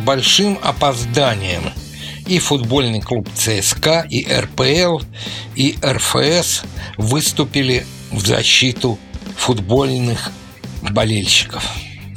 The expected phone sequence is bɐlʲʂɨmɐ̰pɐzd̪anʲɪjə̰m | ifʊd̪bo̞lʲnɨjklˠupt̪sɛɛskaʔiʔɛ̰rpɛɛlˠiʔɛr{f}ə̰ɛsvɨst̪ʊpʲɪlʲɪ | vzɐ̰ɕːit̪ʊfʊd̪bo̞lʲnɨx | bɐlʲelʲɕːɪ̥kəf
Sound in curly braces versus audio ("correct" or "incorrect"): correct